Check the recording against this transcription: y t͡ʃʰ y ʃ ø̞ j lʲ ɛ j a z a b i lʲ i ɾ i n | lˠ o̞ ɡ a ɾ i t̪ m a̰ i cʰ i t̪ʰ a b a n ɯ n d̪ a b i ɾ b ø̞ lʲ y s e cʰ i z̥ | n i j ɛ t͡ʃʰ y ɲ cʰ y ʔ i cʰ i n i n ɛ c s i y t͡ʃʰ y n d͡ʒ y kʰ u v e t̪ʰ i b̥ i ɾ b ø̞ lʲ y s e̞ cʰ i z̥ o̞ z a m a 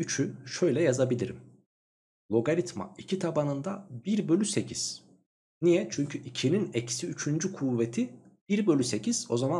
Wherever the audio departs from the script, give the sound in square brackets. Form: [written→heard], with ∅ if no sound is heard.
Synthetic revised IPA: y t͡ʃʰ y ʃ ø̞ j lʲ ɛ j a z a b i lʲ i ɾ i [n→m] | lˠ o̞ ɡ a ɾ i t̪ m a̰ i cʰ i t̪ʰ a b a n ɯ n d̪ a b i ɾ b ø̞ lʲ y s e cʰ i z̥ | n i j ɛ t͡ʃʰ y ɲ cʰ y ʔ i cʰ i n i n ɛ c s i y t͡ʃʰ y n d͡ʒ y kʰ u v e t̪ʰ i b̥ i ɾ b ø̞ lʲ y s e̞ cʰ i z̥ o̞ z a m a